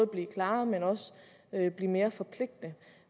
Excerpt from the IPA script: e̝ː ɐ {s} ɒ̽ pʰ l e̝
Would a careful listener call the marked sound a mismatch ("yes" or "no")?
yes